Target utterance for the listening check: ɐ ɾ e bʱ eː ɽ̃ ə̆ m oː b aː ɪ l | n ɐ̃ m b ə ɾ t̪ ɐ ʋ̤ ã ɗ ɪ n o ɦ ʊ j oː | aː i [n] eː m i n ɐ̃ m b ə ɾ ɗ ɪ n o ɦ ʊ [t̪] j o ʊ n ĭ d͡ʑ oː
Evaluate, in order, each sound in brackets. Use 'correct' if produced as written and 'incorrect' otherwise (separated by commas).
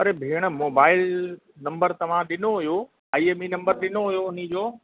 incorrect, incorrect